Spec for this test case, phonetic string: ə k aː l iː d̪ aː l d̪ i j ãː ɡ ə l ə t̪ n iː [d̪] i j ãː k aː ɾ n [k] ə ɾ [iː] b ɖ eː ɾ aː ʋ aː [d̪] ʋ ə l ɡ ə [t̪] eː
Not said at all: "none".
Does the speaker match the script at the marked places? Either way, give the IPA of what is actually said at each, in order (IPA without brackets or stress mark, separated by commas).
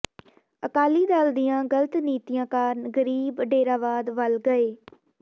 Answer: t̪, ɡ, iː, d̪, none